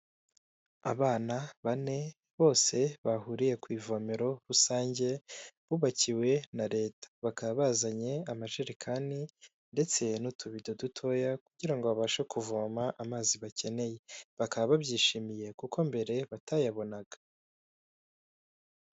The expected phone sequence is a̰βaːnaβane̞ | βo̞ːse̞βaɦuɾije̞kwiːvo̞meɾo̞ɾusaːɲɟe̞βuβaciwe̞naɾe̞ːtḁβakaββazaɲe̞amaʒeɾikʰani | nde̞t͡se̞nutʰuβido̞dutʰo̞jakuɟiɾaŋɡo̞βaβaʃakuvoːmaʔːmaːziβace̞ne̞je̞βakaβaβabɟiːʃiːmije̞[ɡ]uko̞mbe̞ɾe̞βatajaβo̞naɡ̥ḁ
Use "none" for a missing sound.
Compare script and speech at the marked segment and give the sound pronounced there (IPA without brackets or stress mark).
k